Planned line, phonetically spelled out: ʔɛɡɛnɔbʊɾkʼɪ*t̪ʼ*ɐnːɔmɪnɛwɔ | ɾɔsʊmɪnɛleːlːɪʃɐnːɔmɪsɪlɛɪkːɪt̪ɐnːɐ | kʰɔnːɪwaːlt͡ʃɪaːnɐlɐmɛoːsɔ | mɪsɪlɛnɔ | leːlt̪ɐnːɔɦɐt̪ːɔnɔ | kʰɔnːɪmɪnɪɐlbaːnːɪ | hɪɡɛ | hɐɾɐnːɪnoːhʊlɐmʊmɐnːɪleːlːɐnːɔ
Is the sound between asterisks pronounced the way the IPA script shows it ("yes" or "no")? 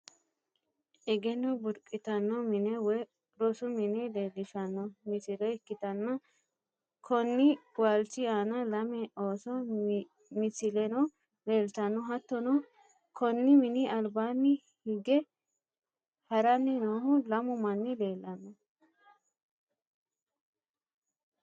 no